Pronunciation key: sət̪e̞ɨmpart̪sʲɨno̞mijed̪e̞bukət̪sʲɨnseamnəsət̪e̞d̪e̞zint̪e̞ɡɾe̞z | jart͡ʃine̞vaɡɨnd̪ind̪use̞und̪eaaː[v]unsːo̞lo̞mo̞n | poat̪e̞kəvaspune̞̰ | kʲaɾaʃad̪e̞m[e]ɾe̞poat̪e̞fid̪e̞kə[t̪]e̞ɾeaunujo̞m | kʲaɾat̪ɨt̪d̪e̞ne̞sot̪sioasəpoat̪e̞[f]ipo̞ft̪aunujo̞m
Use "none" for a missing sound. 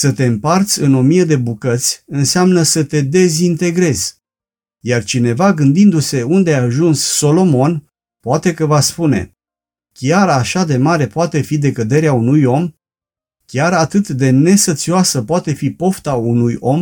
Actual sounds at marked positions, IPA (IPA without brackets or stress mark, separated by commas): ʒ, a, d̪, f